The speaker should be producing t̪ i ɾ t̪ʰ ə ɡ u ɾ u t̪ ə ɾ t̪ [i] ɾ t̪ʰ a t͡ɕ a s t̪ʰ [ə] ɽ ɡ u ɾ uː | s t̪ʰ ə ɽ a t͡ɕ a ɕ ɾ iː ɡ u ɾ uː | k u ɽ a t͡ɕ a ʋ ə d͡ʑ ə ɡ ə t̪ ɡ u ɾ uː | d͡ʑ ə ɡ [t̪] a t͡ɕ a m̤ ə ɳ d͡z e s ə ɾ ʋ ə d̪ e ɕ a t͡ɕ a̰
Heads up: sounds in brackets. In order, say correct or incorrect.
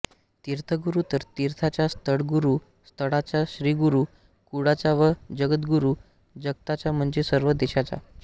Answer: correct, correct, correct

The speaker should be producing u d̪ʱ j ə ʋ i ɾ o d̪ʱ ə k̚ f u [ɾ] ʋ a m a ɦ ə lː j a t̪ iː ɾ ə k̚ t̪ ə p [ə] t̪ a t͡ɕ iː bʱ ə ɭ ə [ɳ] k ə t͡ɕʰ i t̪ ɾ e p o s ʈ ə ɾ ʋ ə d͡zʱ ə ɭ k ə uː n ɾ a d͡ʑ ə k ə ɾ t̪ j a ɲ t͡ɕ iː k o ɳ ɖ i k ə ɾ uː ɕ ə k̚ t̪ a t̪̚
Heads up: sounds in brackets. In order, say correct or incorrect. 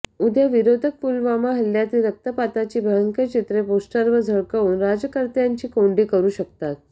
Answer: incorrect, incorrect, incorrect

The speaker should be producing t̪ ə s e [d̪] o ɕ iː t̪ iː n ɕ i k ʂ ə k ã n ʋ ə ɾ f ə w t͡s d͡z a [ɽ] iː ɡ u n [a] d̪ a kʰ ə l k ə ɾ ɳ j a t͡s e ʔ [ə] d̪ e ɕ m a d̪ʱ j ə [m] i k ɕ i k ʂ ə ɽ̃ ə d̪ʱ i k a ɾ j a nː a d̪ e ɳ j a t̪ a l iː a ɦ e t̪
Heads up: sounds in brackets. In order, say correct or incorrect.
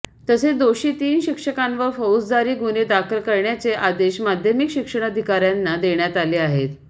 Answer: correct, incorrect, incorrect, incorrect, correct

